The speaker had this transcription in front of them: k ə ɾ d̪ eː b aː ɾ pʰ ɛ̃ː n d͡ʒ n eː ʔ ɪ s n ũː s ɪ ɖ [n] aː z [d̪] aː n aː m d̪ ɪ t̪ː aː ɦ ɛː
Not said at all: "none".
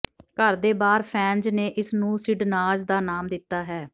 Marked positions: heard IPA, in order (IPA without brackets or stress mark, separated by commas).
n, d̪